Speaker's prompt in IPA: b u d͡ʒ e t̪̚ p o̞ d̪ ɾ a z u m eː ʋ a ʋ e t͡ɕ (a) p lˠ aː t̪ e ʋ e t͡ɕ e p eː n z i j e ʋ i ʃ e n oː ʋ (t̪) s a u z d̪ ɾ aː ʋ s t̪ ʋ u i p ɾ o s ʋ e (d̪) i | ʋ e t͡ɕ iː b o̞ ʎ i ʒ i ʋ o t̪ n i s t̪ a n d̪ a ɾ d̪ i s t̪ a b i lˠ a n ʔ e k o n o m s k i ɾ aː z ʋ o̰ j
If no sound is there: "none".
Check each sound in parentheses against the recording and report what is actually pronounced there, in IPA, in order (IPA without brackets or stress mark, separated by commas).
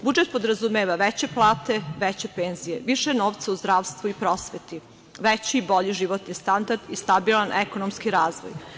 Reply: e, t̪, t̪